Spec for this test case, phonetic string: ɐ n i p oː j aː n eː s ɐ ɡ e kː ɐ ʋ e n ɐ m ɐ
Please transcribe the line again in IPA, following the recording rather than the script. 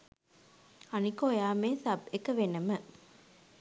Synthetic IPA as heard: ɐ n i k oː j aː m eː s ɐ b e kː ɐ ʋ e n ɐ m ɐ